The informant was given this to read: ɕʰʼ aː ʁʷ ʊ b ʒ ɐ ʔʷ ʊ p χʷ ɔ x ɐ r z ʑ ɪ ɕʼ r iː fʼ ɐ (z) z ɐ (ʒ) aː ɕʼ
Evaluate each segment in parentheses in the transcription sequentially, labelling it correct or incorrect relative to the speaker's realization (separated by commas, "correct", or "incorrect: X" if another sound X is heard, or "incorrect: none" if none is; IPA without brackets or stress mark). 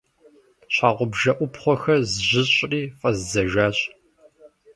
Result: correct, correct